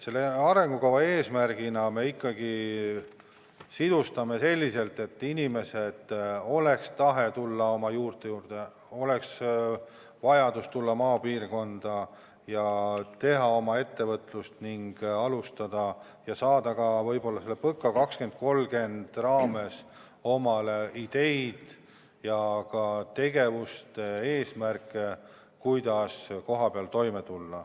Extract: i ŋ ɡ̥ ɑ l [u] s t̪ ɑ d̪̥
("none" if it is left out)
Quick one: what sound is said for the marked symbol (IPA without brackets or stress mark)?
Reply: u